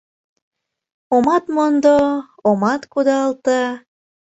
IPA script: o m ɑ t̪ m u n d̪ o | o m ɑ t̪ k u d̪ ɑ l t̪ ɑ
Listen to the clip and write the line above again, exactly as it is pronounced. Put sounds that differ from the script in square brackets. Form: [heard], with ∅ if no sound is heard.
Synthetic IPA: o m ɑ t̪ m [o] n d̪ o | o m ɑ t̪ k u d̪ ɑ l t̪ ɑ

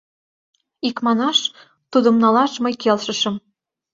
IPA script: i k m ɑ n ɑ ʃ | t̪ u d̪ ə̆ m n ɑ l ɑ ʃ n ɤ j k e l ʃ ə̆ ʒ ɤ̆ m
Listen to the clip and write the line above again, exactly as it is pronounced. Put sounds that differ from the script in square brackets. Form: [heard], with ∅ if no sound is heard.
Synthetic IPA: i k m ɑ n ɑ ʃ | t̪ u d̪ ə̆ m n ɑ l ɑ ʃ [m] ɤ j k e l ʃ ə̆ [ʃ] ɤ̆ m

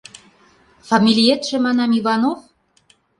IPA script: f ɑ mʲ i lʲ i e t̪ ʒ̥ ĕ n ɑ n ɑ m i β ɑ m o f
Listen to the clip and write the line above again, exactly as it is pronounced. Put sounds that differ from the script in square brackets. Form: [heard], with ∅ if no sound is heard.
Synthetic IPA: f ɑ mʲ i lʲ i e t̪ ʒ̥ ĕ [m] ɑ n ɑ m i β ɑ [n] o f

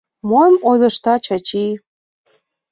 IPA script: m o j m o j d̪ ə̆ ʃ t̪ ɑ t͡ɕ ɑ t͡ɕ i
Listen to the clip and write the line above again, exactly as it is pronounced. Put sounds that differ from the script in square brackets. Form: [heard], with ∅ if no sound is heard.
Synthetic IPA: m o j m o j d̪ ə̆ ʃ t̪ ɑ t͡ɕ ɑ t͡ɕ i

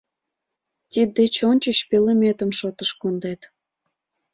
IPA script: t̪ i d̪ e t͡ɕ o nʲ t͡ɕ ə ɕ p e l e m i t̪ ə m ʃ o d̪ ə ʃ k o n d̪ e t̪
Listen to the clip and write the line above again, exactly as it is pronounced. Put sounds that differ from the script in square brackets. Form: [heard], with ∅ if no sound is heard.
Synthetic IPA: t̪ i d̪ e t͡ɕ o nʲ t͡ɕ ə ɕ p e l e m [e] t̪ ə m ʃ o [t̪] ə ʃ k o n d̪ e t̪

